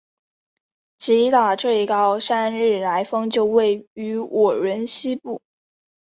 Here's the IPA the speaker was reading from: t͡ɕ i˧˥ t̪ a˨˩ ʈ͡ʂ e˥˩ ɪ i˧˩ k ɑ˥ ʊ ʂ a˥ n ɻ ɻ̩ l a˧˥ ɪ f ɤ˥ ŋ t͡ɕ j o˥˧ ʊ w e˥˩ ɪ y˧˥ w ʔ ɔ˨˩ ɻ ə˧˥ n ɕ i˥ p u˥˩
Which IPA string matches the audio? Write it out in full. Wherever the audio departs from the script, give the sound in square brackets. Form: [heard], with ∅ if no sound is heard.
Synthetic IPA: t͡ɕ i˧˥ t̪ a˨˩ ʈ͡ʂ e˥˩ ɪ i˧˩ k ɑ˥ ʊ ʂ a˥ n ɻ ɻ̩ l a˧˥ ɪ f ɤ˥ ŋ t͡ɕ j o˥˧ ʊ w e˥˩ ɪ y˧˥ w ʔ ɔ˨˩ ɻ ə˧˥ n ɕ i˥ p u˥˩